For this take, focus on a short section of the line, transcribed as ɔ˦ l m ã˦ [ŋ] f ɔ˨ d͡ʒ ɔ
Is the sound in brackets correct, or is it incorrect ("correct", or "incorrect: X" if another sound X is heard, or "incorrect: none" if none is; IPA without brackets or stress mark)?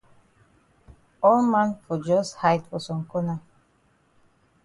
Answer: incorrect: n